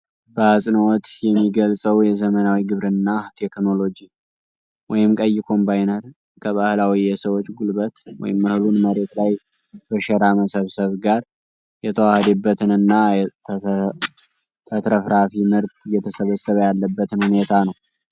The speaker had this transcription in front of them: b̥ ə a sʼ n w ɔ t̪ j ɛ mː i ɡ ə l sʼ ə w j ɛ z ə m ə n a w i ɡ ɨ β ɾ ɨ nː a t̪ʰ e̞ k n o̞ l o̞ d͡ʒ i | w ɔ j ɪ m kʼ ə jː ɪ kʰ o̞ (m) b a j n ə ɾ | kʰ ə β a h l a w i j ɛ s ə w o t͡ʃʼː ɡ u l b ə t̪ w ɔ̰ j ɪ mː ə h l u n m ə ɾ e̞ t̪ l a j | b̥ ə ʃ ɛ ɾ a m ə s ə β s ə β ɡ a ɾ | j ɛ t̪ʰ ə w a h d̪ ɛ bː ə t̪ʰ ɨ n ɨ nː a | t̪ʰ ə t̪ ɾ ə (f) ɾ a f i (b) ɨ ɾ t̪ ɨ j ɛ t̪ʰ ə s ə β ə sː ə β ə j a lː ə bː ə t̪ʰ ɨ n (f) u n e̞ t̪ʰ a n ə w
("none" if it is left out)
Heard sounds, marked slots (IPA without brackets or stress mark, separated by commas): m, f, m, h